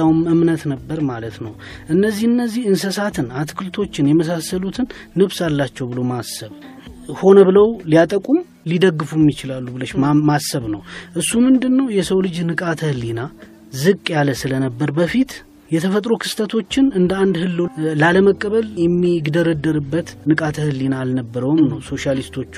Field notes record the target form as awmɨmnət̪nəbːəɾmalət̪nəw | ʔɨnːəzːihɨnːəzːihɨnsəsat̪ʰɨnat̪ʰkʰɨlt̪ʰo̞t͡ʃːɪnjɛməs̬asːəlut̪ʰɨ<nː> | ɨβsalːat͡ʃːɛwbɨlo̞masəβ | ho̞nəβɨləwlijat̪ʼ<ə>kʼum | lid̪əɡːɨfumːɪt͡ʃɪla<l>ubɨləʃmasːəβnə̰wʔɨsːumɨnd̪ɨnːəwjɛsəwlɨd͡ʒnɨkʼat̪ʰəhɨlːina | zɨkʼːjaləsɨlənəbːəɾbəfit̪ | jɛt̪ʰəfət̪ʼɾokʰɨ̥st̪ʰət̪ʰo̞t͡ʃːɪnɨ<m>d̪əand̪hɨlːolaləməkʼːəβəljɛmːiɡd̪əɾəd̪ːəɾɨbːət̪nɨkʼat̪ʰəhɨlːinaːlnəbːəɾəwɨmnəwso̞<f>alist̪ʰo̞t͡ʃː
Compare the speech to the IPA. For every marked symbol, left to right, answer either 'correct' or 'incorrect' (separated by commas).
correct, correct, incorrect, incorrect, incorrect